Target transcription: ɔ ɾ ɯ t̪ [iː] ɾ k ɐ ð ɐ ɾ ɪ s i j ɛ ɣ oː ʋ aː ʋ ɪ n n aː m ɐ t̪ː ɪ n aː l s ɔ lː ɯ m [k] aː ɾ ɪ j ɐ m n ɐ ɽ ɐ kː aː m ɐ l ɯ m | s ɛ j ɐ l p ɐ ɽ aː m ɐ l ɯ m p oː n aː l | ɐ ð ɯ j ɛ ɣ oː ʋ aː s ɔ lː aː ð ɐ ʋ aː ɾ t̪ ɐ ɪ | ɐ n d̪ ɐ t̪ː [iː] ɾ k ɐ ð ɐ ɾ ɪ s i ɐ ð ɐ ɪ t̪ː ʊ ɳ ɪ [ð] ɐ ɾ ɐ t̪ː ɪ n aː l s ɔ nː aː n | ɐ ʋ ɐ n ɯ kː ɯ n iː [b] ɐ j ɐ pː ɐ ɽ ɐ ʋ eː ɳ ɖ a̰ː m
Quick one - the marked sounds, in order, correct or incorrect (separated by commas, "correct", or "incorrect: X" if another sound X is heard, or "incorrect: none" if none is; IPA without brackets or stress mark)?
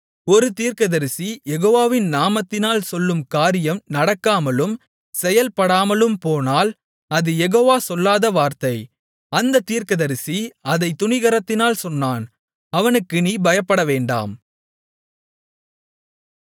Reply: correct, correct, correct, incorrect: ɣ, correct